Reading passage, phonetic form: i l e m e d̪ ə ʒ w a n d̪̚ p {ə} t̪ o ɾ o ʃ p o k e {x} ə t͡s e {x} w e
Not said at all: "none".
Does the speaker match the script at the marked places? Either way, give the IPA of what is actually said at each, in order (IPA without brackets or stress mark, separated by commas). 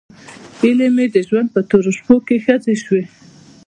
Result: ə, x, ʃ